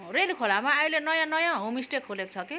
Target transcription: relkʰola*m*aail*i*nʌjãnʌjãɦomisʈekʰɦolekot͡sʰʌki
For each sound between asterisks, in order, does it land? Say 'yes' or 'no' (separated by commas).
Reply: yes, no